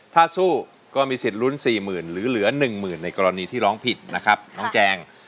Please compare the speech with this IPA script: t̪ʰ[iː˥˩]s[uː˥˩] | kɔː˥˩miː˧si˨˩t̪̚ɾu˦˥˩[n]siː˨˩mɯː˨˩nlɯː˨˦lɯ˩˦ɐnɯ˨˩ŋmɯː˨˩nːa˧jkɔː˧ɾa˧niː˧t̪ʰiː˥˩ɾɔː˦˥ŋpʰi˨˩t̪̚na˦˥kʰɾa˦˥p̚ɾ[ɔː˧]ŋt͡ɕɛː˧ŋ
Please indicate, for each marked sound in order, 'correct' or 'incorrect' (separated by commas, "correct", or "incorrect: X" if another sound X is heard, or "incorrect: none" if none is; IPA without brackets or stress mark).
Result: incorrect: aː˥˩, correct, correct, incorrect: ɔː˦˥